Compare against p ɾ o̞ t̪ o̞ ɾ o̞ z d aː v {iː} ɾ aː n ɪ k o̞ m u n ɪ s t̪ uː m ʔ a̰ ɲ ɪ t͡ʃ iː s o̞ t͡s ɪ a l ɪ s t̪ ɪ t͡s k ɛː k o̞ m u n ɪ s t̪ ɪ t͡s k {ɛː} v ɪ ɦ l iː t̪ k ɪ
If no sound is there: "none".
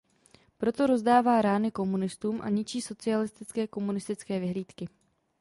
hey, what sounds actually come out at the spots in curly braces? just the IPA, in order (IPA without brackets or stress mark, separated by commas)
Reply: aː, ɛː